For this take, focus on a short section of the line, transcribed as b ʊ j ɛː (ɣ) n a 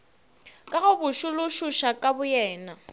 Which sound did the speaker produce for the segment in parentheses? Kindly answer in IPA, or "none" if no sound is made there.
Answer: none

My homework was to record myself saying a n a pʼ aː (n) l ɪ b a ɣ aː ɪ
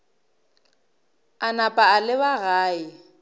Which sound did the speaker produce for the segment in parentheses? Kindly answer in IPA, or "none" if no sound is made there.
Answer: none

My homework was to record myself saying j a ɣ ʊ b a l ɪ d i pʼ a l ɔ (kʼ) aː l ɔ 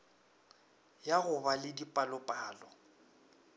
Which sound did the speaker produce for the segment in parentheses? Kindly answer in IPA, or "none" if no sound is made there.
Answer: pʼ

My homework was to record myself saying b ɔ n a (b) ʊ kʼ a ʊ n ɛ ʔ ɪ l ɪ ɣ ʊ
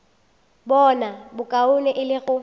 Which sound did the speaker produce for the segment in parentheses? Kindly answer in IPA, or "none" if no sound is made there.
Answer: b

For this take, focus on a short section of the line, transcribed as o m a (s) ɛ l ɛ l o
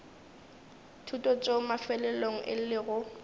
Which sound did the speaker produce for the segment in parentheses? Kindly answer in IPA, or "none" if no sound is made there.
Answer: f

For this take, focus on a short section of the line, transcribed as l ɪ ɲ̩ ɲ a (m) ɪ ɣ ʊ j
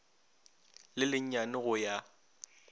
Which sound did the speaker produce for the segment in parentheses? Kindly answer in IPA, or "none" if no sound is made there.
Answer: n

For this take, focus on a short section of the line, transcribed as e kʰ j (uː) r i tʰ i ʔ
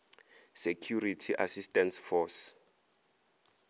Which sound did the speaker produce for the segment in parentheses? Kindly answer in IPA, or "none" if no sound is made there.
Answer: u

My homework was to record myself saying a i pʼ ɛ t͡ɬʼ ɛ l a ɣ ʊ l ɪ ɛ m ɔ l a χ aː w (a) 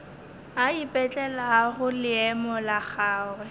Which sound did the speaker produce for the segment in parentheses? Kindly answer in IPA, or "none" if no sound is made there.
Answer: ɛ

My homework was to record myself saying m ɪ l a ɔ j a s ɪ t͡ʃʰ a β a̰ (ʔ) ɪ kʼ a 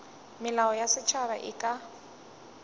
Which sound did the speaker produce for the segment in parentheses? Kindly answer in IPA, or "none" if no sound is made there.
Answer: ʔ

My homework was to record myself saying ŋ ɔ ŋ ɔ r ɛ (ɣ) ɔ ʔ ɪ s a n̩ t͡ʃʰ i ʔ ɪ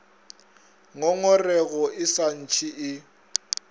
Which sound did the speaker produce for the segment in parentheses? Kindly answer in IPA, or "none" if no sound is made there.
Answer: ɣ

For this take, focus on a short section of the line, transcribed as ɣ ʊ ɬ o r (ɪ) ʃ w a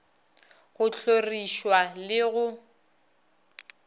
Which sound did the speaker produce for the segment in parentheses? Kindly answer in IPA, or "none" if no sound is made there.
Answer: i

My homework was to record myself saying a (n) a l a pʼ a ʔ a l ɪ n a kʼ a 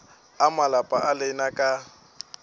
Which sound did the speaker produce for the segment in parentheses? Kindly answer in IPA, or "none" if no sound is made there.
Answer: m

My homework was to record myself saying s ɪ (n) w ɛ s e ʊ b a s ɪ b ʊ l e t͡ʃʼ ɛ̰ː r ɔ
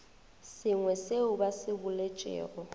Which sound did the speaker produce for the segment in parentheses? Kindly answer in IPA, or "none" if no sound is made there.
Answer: ŋ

